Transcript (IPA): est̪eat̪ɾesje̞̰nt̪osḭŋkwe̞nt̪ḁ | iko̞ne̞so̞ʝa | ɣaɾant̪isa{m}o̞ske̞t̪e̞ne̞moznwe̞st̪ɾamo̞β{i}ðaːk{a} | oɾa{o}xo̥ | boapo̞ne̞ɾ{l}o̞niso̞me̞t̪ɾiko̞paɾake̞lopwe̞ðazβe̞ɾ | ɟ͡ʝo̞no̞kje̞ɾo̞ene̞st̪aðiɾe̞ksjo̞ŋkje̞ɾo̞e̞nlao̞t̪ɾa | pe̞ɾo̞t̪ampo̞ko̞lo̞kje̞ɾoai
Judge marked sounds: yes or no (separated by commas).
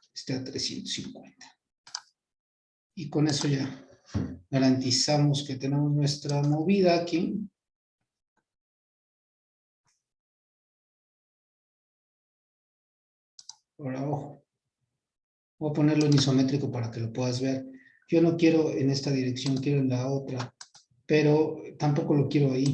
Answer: yes, yes, no, yes, yes